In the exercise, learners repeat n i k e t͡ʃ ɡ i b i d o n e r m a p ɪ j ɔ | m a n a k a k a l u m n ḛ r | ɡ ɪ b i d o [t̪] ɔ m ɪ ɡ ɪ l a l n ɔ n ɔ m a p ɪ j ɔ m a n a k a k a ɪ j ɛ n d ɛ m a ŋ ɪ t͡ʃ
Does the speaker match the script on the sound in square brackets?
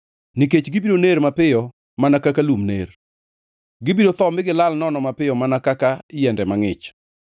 yes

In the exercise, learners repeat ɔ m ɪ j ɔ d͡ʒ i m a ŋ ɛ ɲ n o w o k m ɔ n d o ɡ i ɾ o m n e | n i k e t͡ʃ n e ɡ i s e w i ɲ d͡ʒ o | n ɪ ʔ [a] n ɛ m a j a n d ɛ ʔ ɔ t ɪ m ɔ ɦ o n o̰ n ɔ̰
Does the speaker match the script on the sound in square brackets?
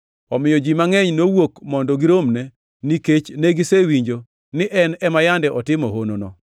no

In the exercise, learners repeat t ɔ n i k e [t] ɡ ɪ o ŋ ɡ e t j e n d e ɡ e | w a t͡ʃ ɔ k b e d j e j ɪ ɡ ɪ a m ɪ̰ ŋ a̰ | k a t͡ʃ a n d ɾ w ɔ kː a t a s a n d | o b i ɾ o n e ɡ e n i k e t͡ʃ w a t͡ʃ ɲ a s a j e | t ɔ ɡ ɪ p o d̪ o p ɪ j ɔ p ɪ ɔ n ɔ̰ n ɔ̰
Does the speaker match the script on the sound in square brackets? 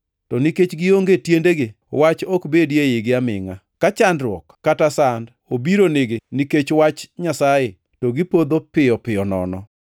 no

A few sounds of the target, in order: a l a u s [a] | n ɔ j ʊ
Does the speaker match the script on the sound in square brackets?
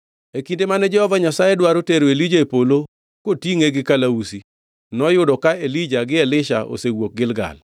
no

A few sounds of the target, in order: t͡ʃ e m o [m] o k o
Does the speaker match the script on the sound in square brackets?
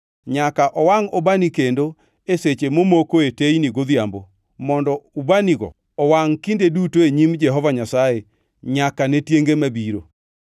yes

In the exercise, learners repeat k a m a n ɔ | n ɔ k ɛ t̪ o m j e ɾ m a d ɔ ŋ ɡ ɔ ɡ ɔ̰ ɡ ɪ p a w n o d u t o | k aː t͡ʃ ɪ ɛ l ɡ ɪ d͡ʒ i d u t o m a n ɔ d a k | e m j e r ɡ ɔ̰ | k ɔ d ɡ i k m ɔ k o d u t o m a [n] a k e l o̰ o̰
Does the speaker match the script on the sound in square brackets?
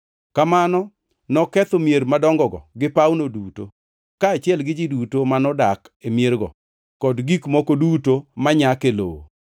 no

